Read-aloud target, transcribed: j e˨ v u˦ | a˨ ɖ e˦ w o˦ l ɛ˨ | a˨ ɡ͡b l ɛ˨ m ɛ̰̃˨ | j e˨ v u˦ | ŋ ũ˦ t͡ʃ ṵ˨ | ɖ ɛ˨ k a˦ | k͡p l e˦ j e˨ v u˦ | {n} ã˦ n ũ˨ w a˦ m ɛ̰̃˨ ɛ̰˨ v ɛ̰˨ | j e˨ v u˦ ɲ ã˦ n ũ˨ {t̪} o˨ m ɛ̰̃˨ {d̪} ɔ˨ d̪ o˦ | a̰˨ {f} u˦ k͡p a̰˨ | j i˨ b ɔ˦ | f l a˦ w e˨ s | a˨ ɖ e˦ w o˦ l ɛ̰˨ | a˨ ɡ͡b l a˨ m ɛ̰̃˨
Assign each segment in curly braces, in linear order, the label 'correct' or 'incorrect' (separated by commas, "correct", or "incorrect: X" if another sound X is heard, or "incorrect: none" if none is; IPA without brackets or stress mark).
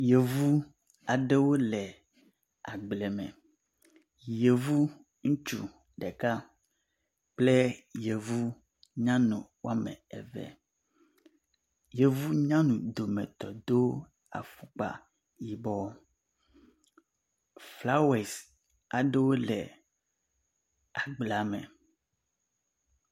incorrect: ɲ, incorrect: d̪, incorrect: t̪, correct